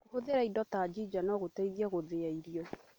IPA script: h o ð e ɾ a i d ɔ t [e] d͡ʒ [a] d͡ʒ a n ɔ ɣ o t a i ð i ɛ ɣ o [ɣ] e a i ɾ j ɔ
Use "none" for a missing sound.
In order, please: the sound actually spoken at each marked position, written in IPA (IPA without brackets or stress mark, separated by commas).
a, i, ð